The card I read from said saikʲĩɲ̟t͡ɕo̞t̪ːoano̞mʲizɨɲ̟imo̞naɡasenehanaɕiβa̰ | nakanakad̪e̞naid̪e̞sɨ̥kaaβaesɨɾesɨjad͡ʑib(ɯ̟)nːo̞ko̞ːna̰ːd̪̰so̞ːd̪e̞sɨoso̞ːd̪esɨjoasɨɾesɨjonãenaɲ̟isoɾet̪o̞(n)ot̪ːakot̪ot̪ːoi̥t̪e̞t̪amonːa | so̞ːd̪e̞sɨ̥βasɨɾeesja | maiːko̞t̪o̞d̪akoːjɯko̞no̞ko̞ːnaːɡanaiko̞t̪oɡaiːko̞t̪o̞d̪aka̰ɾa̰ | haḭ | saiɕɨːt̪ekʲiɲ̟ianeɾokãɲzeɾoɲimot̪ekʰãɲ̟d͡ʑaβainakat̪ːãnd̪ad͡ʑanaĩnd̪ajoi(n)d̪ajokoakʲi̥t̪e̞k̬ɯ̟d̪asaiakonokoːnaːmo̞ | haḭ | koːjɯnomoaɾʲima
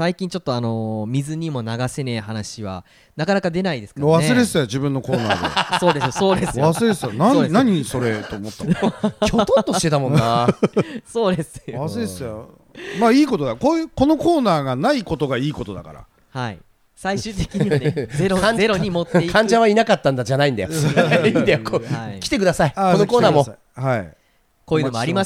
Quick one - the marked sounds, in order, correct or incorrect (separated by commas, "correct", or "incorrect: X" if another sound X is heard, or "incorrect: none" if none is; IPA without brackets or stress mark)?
incorrect: ɯ̟̃, incorrect: m, correct